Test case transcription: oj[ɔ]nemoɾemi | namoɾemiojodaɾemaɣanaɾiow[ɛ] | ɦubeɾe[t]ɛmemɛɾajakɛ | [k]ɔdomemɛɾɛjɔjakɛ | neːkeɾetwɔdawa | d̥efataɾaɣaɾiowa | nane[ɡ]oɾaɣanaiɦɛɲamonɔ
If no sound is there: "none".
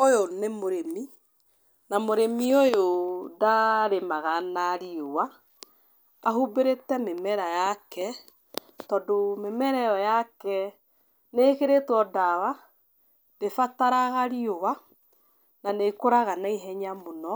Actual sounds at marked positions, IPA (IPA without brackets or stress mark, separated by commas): o, a, t, t, k